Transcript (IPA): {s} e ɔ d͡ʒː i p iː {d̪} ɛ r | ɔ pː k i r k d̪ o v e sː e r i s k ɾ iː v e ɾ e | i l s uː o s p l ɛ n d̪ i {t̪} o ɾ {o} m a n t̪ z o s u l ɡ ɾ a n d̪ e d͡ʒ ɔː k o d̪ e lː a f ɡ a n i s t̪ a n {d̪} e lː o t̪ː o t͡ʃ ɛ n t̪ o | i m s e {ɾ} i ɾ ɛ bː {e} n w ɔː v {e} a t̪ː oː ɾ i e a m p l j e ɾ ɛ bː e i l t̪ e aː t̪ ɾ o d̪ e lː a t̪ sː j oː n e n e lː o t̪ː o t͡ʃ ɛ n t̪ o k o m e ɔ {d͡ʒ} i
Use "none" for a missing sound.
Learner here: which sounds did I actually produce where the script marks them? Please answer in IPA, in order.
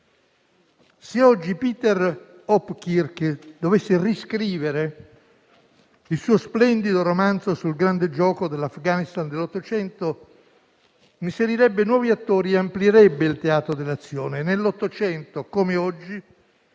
s, t̪, d̪, o, d̪, ɾ, e, i, d͡ʒː

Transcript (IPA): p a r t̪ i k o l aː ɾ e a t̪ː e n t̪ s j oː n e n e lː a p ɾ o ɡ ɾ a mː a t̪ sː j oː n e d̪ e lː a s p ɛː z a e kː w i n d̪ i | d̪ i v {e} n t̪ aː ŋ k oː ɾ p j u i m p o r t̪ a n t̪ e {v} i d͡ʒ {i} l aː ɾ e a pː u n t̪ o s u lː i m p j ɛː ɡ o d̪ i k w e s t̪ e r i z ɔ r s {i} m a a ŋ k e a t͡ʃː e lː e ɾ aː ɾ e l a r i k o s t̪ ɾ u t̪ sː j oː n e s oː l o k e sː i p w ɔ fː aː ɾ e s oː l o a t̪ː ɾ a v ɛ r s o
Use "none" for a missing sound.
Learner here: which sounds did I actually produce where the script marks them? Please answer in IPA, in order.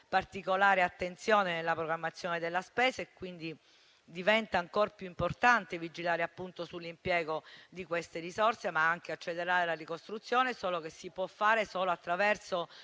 ɛ, v, i, e

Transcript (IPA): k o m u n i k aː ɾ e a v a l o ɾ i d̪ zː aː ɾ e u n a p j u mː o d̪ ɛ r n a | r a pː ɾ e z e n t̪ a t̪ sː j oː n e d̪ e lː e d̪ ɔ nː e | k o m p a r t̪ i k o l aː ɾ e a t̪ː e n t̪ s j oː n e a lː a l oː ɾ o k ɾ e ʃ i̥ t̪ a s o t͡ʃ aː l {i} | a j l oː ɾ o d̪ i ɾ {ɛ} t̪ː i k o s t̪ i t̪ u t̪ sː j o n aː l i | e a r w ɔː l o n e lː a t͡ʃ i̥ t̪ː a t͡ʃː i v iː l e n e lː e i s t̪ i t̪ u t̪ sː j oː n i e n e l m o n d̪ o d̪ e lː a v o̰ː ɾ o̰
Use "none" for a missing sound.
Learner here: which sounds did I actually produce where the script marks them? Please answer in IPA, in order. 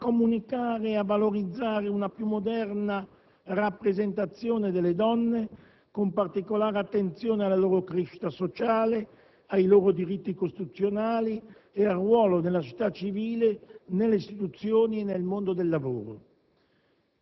e, i

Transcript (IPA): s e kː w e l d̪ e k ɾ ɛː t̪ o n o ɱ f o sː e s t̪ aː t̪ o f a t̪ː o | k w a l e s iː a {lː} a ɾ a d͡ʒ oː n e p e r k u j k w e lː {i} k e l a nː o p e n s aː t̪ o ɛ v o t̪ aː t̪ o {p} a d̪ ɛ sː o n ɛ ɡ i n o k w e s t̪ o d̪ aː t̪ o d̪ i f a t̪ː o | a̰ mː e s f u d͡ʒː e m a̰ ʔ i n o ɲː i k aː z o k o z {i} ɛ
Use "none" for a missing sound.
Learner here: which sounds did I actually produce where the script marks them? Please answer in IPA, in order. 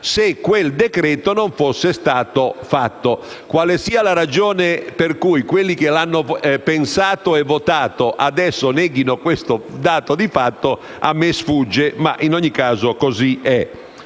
l, i, ʔ, i

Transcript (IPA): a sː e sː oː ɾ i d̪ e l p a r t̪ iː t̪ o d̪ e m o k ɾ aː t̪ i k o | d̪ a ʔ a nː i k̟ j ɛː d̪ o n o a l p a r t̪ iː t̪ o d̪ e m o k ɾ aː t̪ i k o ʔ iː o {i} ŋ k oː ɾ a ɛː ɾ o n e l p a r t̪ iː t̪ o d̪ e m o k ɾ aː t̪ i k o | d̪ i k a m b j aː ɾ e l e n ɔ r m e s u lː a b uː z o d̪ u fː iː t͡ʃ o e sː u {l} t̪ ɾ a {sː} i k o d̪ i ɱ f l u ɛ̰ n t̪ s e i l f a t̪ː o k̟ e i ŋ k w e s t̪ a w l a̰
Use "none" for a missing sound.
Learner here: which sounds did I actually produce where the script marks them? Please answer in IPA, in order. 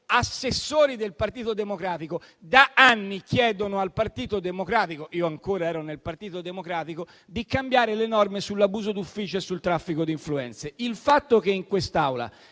a, l, fː

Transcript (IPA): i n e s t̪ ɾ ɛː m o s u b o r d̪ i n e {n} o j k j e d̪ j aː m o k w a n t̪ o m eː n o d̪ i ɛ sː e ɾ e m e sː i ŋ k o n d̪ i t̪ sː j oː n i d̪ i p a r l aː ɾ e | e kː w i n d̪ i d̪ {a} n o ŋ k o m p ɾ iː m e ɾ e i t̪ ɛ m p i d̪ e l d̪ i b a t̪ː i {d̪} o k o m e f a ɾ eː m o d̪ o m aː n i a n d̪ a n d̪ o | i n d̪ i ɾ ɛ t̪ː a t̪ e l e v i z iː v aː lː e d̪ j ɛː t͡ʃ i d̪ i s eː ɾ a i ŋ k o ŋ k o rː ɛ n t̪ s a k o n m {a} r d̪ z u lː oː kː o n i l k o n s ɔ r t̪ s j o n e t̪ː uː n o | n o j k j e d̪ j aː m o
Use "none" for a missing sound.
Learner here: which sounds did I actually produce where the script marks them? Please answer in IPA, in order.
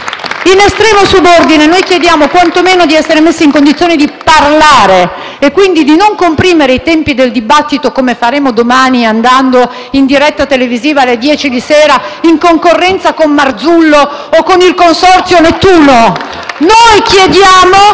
n, i, t̪, a

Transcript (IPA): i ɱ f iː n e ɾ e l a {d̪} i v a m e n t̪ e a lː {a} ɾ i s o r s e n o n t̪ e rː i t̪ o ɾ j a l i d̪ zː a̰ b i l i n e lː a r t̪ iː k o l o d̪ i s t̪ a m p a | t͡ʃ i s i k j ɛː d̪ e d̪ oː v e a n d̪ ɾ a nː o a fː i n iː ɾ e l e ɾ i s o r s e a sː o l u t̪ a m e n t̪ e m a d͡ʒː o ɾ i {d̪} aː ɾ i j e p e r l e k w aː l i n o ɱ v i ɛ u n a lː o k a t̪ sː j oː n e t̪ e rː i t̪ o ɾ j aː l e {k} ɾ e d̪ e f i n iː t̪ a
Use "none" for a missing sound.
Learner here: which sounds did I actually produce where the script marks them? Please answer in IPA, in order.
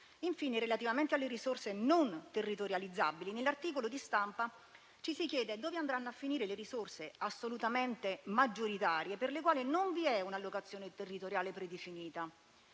t̪, e, t̪, p

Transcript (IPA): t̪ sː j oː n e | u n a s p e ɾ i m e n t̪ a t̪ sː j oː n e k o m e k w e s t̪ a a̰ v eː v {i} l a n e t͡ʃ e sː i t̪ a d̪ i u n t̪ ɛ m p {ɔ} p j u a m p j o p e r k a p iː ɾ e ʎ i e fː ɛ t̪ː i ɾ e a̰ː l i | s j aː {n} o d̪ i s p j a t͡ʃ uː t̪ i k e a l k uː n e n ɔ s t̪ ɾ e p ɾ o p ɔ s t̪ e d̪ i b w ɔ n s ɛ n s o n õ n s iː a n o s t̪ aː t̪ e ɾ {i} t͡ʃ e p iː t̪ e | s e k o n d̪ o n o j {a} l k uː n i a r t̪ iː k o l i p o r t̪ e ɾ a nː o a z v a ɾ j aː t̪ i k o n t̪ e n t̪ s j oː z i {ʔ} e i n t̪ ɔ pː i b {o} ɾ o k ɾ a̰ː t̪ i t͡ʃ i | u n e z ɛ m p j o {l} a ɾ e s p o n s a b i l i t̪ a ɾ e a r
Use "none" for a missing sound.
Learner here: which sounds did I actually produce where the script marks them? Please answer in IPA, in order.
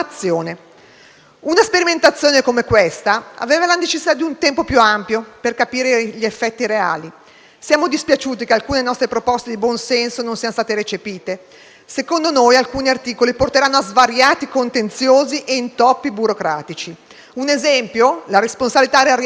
a, o, m, e, a, ʔ, u, l

